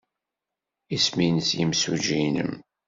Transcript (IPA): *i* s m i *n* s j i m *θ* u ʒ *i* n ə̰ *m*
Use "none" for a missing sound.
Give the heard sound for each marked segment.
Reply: i, n, s, i, m

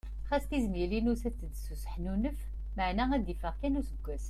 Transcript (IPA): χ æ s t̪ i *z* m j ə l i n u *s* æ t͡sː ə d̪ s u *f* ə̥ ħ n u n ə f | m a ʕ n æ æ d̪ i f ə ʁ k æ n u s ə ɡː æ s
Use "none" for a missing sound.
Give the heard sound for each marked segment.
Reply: z, s, s

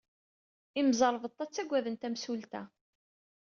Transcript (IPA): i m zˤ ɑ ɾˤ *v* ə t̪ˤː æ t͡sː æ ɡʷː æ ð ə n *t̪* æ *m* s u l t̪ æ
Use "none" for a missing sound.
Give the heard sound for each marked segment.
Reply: v, t̪, m

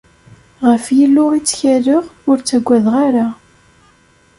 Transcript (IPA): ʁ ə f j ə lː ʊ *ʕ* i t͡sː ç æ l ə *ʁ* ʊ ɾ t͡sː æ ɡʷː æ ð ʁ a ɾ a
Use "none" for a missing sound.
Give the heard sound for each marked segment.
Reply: ʁ, ʁ

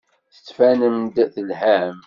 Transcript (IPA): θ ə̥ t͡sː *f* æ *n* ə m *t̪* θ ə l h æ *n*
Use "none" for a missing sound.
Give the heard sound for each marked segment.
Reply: f, n, d̪, m

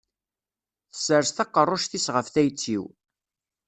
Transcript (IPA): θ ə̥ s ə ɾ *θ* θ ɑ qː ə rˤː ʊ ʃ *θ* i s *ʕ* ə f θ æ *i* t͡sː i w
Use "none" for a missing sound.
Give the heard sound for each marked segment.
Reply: s, θ, ʁ, j

